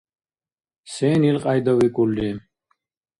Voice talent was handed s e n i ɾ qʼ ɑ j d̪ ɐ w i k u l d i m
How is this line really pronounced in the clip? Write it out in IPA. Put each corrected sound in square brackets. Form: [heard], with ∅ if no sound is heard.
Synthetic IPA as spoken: s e n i [l] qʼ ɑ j d̪ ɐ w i k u l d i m